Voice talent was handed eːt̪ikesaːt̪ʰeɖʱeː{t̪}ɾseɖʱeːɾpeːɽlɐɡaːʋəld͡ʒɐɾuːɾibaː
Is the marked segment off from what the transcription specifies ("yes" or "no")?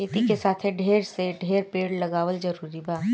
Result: yes